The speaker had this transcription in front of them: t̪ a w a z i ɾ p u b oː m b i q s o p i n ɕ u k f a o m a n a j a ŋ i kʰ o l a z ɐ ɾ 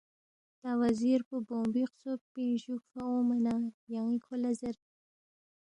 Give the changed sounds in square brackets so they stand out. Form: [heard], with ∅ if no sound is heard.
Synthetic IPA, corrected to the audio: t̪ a w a z i ɾ p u b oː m b i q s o p i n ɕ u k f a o m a n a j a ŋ i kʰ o l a z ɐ ɾ

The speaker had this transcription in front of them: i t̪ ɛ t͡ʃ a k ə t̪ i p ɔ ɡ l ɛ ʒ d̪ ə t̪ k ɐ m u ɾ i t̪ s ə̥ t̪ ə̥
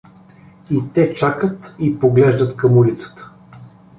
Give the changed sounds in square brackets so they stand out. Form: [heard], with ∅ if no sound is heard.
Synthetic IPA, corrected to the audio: i t̪ ɛ t͡ʃ a k ə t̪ i p [o] ɡ l ɛ ʒ d̪ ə t̪ k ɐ m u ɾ i t̪ s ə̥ t̪ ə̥

